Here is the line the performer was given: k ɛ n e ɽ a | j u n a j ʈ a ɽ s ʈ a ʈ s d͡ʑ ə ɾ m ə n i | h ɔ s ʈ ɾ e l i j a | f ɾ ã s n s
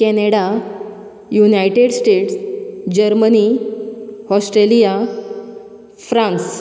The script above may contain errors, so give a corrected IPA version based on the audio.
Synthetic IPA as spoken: k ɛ n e ɽ a | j u n a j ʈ e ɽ s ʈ e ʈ s d͡ʑ ə ɾ m ə n i | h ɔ s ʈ ɾ e l i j a | f ɾ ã n s